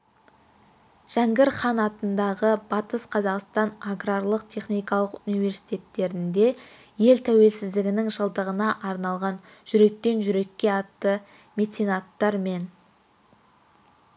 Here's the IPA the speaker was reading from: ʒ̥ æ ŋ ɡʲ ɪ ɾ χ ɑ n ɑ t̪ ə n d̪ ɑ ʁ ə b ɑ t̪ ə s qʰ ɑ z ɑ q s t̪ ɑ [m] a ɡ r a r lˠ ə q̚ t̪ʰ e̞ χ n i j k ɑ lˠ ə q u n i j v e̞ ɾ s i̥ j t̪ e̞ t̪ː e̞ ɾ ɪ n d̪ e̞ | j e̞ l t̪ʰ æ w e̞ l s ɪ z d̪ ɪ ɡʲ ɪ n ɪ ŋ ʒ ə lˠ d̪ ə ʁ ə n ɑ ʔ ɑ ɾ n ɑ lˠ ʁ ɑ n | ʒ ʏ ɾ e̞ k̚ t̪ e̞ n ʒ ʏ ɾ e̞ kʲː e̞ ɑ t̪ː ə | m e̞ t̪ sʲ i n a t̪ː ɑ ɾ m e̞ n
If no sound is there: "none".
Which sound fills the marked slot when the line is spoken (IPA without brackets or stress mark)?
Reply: n